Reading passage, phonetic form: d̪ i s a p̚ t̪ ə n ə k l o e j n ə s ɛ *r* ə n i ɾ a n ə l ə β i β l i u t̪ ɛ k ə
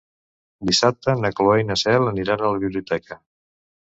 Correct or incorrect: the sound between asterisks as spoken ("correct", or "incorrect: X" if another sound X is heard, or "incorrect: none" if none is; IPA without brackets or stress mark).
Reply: incorrect: l